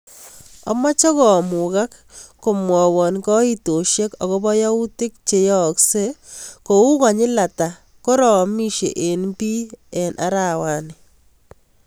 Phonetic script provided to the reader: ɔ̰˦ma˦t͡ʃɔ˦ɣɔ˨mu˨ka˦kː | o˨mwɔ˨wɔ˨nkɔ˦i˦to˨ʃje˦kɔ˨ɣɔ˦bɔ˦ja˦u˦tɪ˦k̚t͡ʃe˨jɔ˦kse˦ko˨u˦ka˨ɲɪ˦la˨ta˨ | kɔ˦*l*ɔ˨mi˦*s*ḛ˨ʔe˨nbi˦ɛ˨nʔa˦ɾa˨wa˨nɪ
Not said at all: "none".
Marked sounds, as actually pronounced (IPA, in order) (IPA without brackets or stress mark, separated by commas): ɾ, ʃ